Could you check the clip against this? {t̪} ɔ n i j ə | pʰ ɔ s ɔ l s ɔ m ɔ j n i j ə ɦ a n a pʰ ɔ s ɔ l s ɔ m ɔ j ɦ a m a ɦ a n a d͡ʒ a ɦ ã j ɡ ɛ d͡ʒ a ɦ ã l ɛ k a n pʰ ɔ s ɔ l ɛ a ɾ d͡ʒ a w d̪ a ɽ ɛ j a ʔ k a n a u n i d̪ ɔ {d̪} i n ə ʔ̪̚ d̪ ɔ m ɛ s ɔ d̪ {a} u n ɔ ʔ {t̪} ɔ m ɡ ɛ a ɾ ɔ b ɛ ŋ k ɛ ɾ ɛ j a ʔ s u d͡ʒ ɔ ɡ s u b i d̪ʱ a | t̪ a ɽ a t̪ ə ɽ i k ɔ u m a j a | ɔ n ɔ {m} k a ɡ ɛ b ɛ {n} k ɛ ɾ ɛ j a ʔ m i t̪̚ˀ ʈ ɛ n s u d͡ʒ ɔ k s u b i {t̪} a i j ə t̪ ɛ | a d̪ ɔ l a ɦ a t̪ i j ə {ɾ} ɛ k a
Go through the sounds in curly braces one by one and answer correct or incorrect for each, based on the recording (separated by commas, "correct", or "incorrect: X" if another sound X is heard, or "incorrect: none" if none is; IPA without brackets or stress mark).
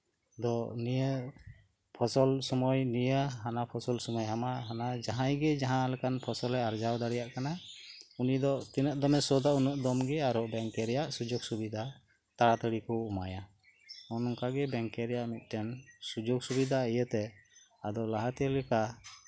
incorrect: d̪, incorrect: t̪, correct, incorrect: d̪, incorrect: ŋ, incorrect: ŋ, incorrect: d̪, incorrect: l